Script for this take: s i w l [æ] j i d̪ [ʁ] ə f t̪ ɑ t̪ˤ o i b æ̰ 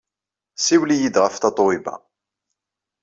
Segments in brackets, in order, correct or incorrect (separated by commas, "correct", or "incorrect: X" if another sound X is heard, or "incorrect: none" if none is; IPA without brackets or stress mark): incorrect: i, correct